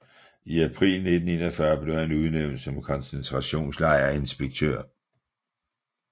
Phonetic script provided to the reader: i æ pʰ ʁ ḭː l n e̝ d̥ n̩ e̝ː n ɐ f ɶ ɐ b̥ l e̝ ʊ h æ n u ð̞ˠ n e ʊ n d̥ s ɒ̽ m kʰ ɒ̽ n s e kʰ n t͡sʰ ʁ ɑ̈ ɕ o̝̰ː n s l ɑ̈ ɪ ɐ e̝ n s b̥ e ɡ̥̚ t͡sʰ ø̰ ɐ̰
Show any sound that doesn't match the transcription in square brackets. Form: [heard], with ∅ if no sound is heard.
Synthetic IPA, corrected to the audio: i æ pʰ ʁ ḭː l n e̝ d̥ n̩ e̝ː n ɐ f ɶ ɐ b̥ l e̝ ʊ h æ n u ð̞ˠ n e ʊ n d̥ s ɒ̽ m kʰ ɒ̽ n s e [∅] n t͡sʰ ʁ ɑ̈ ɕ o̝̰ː n s l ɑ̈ ɪ ɐ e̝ n s b̥ e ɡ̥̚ t͡sʰ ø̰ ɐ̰